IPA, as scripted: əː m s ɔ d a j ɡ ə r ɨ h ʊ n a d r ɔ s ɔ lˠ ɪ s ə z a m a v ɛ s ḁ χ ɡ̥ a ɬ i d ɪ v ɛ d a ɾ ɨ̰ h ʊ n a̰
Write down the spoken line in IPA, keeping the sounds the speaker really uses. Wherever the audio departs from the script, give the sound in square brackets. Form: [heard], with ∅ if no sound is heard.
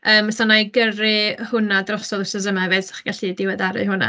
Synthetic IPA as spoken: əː m s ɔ [n] a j ɡ ə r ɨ h ʊ n a d r ɔ s ɔ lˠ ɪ s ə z [ə] m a v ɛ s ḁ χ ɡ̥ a ɬ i d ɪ [w] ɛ d a ɾ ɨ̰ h ʊ n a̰